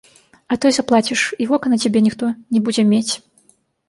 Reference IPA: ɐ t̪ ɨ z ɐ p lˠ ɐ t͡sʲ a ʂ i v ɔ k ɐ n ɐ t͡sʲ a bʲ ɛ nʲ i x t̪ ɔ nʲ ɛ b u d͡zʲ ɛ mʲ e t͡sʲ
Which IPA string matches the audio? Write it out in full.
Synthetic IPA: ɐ t̪ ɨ z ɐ p lˠ a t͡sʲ i ʂ i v ɔ k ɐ n ɐ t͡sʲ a bʲ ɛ nʲ i x t̪ ɔ nʲ ɛ b u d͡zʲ ɛ mʲ e t͡sʲ